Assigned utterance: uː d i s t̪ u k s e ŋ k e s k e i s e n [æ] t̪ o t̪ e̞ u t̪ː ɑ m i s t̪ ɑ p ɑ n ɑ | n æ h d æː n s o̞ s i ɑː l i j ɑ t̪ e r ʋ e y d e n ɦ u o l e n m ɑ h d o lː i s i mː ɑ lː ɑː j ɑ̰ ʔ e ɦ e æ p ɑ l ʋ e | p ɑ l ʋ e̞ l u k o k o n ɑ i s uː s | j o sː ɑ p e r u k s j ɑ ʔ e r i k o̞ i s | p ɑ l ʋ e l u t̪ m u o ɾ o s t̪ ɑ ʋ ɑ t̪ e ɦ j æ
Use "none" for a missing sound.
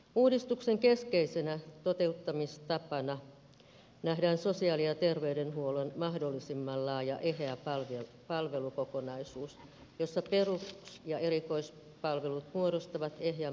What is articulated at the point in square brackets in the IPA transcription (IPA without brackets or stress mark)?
æ